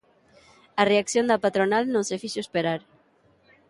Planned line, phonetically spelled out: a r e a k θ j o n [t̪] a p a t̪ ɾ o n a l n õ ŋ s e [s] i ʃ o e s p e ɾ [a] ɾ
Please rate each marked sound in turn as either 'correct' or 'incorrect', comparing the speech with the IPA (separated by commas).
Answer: incorrect, incorrect, correct